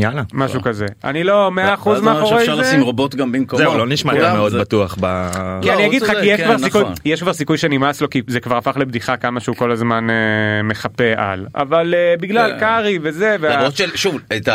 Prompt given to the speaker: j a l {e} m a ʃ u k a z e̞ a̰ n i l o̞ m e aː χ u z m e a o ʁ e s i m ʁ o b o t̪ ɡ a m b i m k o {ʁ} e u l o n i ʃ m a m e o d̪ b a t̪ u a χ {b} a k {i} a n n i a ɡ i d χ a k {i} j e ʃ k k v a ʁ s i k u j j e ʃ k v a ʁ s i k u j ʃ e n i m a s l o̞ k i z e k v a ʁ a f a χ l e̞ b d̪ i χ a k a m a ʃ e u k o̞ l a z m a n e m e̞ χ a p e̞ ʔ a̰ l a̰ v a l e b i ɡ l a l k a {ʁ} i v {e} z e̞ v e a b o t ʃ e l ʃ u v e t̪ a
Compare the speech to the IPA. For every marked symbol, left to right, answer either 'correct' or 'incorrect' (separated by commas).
incorrect, incorrect, correct, correct, correct, correct, correct